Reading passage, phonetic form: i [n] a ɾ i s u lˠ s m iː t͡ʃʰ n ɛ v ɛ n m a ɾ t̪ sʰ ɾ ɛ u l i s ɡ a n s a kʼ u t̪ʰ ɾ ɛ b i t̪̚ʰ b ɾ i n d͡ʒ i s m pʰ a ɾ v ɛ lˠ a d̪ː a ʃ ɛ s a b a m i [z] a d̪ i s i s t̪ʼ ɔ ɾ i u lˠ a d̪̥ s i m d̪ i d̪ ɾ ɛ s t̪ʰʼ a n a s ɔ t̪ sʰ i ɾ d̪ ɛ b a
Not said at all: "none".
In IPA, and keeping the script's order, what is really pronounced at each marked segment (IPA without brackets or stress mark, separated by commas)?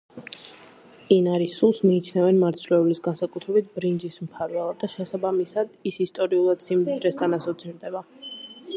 n, s